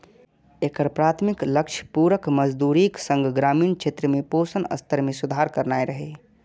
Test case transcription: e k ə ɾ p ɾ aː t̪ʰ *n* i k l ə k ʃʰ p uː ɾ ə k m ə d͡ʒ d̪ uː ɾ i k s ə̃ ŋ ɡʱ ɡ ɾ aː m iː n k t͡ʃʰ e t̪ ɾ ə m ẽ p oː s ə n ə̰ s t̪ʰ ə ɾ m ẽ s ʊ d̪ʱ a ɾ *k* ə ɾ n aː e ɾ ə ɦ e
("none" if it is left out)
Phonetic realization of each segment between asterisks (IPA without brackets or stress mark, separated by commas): m, k